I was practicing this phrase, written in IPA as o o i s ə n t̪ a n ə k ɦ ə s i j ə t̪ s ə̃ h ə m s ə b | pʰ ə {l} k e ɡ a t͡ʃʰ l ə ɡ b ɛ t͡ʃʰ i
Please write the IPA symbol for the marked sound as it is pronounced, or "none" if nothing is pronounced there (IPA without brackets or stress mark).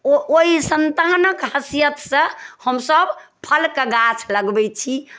l